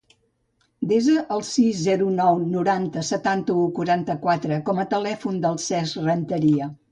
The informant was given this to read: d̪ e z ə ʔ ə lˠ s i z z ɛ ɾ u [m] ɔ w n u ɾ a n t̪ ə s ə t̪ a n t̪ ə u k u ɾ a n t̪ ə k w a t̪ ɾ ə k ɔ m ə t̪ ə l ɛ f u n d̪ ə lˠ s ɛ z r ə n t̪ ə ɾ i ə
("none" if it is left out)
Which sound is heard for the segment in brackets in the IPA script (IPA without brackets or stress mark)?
n